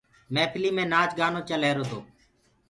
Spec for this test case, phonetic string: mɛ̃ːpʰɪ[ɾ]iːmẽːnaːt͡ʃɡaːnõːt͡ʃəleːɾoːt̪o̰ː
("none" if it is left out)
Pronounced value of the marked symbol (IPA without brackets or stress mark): l